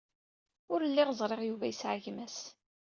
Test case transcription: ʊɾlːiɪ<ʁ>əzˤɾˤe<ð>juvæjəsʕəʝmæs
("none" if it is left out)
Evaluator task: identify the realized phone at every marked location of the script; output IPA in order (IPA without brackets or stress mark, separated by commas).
ʁ, ʁ